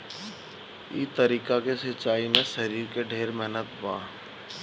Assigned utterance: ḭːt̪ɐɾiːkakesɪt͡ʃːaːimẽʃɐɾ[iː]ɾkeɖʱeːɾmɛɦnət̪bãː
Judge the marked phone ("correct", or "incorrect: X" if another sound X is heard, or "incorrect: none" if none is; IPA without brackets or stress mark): correct